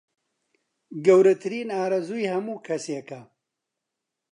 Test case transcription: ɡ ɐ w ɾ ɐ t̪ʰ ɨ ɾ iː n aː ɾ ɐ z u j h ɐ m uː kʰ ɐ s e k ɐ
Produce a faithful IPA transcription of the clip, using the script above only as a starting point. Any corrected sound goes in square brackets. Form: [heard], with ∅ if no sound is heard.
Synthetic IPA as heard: ɡ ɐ w ɾ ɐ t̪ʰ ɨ ɾ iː n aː ɾ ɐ z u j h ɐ m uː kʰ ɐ s e k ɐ